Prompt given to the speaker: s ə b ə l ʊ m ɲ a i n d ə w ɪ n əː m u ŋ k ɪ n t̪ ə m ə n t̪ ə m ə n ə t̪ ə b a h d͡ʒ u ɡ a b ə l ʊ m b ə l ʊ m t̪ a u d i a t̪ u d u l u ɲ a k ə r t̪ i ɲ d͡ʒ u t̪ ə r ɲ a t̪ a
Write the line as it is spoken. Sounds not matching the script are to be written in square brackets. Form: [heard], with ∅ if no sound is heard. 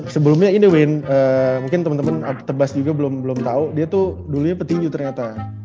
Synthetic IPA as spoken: s ə b ə l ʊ m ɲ a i n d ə w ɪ n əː m u ŋ k ɪ n t̪ ə m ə n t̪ ə m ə n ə t̪ ə b a [s] d͡ʒ u ɡ a b ə l ʊ m b ə l ʊ m t̪ a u d i a t̪ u d u l u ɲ a [p] ə r t̪ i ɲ d͡ʒ u t̪ ə r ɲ a t̪ a